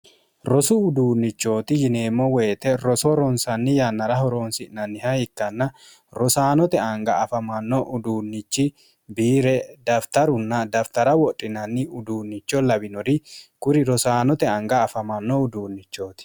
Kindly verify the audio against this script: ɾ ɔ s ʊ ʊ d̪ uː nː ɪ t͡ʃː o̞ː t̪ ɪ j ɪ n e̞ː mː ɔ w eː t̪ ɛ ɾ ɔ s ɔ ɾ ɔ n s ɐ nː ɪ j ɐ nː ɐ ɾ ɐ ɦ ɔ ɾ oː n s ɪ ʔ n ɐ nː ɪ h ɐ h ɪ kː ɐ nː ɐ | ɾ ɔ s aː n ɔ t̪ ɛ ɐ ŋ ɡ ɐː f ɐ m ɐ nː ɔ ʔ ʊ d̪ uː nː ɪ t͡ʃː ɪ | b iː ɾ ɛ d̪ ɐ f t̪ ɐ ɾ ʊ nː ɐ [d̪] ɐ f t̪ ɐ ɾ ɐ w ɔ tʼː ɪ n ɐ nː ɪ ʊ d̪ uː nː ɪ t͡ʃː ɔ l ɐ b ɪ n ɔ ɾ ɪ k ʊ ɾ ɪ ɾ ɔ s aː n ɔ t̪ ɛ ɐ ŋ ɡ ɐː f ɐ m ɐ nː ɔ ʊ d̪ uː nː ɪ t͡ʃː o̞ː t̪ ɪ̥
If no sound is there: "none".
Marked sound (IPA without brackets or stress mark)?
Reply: d̪